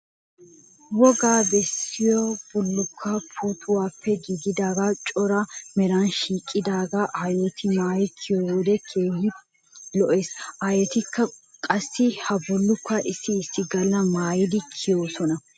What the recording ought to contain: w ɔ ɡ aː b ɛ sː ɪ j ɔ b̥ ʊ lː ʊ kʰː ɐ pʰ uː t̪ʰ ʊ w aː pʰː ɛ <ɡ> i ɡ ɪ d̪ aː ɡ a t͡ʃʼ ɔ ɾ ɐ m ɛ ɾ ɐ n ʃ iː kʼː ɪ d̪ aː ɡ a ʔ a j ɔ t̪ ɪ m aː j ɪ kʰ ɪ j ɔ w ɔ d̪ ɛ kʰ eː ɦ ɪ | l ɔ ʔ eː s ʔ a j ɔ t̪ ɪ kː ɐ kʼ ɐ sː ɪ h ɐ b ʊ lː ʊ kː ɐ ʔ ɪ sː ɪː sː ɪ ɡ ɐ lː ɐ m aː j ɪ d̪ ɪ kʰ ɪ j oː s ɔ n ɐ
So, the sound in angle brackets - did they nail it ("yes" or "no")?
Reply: yes